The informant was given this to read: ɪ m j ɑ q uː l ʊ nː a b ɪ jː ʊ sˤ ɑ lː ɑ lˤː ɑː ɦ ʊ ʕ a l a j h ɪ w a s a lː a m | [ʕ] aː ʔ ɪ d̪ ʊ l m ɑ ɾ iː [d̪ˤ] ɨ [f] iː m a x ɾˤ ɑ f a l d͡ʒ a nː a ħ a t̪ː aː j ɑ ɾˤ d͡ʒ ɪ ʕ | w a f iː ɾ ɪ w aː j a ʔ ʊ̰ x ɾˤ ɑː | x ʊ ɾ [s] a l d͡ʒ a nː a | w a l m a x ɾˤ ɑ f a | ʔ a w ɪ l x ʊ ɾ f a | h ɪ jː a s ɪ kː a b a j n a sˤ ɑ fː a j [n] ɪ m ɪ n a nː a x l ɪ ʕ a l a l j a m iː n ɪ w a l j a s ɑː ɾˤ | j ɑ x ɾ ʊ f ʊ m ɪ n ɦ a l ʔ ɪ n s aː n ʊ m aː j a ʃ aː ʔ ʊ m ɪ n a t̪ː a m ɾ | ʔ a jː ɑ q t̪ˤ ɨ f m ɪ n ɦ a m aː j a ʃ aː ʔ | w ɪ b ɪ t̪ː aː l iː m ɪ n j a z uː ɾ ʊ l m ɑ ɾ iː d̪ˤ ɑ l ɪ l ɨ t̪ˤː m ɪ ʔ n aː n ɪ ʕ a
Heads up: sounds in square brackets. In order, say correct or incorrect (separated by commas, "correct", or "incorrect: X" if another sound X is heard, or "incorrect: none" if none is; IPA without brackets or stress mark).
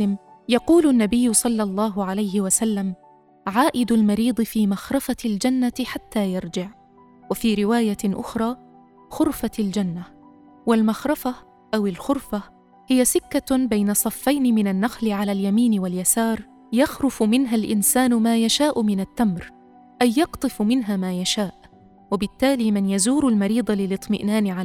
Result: correct, correct, correct, incorrect: f, correct